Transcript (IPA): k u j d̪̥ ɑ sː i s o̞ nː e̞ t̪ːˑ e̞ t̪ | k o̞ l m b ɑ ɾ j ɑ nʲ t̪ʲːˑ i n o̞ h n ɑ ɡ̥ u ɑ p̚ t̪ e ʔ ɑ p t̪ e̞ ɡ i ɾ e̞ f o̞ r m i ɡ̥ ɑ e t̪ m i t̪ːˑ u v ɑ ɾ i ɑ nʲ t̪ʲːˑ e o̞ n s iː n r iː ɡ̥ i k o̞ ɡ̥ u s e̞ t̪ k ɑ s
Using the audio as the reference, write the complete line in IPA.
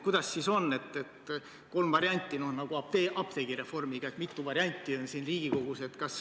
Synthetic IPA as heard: k u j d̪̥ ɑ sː i s o̞ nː e̞ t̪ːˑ e̞ t̪ | k o̞ l m v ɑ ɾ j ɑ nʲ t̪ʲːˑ i n o̞ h n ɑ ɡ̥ u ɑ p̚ t̪ e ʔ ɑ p t̪ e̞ ɡ i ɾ e̞ f o̞ r m i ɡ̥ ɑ e t̪ m i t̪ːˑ u v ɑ ɾ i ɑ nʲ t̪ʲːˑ i o̞ n s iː n r iː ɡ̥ i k o̞ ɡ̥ u s e̞ t̪ k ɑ s